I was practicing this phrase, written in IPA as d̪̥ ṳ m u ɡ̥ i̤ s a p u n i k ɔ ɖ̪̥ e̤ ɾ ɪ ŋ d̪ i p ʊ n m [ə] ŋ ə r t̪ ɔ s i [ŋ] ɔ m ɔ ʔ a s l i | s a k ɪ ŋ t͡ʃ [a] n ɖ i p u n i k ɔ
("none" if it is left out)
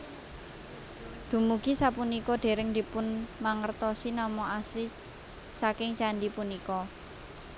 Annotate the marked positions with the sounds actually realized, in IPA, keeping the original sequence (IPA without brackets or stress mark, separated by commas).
a, n, a